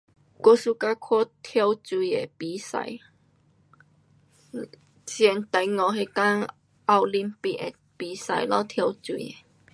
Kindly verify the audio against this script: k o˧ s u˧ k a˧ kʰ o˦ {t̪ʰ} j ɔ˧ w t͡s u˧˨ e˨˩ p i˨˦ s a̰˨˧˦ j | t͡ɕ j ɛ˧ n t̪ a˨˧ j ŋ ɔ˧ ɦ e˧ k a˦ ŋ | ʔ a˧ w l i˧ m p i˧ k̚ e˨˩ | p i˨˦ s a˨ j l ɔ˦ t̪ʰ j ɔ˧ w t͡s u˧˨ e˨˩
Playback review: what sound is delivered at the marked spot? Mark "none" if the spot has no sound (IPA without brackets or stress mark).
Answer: t̪ʰ